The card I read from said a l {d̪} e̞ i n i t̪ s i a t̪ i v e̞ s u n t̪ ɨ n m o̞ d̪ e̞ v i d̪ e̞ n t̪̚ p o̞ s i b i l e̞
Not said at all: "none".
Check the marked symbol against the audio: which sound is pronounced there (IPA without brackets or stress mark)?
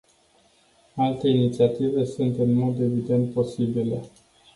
t̪